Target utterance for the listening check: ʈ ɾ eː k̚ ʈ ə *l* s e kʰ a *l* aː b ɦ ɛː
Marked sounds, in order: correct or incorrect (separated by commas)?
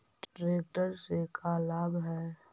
incorrect, correct